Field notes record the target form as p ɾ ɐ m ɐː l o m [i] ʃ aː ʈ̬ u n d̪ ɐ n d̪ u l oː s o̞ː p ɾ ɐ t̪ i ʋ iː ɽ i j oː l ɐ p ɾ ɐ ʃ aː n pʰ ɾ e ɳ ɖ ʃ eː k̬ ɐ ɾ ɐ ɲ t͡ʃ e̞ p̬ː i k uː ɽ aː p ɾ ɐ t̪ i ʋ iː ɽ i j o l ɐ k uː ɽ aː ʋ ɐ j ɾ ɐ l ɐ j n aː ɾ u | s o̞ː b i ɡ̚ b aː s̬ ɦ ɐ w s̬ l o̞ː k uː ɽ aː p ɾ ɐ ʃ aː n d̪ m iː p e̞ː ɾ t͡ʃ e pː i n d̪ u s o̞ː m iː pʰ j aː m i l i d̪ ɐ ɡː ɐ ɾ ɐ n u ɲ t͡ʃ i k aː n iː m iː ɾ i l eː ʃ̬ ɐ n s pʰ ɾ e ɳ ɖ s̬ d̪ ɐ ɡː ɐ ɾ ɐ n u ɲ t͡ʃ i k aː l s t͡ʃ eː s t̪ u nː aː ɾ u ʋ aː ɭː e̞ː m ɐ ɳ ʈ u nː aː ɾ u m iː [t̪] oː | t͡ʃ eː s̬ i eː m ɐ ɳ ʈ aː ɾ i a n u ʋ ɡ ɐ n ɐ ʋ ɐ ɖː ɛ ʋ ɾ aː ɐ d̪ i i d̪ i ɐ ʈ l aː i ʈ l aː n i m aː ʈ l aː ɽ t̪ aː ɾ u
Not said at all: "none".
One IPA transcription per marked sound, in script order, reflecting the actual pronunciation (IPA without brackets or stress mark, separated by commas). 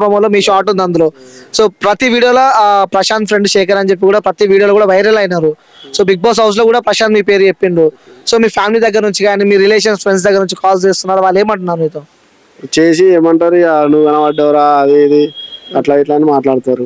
iː, t̪